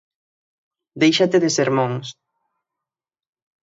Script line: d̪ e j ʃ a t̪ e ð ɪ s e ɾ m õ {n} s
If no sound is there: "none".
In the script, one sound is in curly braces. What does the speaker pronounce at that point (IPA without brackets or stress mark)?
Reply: ŋ